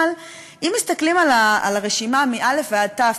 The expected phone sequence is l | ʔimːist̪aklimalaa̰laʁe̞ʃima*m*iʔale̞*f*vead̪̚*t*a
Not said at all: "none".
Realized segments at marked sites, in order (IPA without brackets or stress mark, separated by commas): m, f, t